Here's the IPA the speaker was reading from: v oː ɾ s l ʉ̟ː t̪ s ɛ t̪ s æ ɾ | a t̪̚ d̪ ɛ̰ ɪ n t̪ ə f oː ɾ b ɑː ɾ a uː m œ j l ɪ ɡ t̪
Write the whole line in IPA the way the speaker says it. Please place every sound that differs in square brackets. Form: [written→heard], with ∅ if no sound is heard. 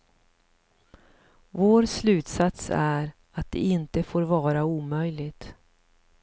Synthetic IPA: v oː ɾ s l ʉ̟ː t̪ s [ɛ→a] t̪ s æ ɾ | a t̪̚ d̪ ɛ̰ ɪ n t̪ ə f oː ɾ [b→v] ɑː ɾ a uː m œ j l ɪ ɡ t̪